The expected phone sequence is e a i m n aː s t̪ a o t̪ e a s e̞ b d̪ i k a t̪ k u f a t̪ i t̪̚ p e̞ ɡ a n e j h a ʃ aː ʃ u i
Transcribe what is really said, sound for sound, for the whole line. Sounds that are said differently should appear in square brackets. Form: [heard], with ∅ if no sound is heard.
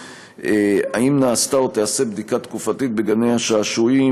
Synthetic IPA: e a i m n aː s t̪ a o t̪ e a s e̞ b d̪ i k a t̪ k u f a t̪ i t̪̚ [b] e̞ ɡ a n e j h a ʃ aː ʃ u i